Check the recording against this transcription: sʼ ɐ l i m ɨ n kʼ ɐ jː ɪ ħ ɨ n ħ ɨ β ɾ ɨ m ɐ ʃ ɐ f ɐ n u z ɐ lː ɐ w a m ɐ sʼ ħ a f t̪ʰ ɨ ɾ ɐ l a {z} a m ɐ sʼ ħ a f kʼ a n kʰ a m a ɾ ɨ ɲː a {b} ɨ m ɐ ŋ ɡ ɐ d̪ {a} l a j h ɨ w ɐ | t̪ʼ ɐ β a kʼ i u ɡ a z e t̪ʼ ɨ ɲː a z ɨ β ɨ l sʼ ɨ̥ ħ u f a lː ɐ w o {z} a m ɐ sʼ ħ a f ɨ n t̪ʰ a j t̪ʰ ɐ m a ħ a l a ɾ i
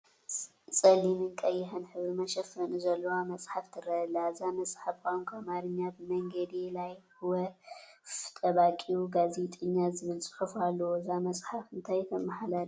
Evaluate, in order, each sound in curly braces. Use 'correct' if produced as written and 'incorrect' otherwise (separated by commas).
correct, correct, incorrect, correct